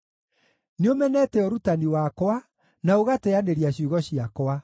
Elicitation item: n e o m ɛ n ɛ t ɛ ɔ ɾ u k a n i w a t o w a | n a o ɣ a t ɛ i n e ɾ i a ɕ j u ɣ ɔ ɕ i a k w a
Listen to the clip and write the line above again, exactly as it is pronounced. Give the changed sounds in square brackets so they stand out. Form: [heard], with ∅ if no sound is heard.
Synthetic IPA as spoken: n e o m ɛ n ɛ t ɛ ɔ ɾ u [t] a n i w a [k] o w a | n a o ɣ a t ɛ [a] n e ɾ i a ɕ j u ɣ ɔ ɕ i a k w a